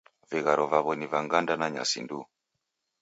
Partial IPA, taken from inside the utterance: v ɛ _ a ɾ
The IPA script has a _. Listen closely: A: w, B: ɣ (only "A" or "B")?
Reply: B